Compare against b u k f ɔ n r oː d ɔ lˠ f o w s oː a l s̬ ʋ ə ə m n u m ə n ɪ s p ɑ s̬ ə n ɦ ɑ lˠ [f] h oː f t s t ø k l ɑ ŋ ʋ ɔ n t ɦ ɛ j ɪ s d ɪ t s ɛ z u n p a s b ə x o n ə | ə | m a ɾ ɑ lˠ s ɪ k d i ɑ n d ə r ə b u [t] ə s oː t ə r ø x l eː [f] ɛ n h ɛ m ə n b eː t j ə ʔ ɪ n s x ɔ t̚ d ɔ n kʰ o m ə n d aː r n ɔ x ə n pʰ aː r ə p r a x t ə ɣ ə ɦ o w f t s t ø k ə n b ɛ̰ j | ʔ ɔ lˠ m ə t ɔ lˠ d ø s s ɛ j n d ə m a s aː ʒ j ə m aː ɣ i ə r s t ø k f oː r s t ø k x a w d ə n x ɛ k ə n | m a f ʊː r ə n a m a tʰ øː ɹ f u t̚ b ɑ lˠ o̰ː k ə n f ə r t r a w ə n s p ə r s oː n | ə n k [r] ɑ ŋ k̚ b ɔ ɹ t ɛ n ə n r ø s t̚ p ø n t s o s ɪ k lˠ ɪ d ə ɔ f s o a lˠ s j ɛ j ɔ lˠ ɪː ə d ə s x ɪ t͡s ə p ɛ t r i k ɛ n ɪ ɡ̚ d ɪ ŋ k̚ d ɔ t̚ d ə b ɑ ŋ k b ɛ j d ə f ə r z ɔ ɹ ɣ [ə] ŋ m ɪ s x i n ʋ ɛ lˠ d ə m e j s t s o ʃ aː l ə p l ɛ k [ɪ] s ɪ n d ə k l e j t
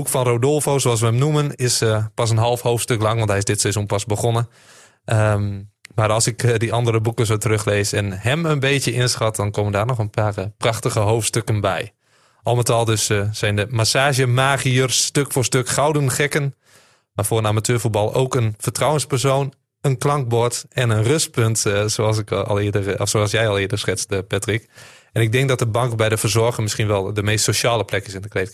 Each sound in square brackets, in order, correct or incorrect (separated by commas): correct, incorrect, incorrect, incorrect, correct, correct